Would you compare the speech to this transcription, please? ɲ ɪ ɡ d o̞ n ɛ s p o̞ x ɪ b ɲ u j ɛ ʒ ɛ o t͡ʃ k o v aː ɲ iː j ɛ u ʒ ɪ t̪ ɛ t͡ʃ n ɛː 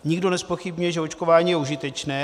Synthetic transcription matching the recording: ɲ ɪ ɡ d o̞ n ɛ s p o̞ x ɪ b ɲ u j ɛ ʒ ɛ o t͡ʃ k o v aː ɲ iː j ɛ u ʒ ɪ t̪ ɛ t͡ʃ n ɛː